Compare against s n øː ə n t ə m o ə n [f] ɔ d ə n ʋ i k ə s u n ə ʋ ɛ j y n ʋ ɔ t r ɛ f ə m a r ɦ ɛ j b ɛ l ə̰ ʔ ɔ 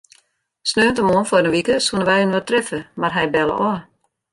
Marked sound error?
no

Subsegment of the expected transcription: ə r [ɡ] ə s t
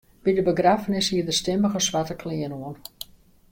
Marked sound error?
yes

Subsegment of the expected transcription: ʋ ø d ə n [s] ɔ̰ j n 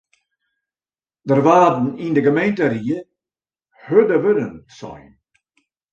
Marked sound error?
no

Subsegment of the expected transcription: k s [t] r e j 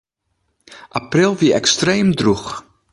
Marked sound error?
no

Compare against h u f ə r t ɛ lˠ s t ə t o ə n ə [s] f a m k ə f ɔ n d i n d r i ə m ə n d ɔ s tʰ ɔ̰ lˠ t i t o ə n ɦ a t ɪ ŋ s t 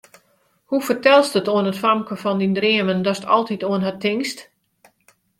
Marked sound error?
yes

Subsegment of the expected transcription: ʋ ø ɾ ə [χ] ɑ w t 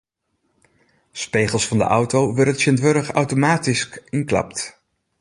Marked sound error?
no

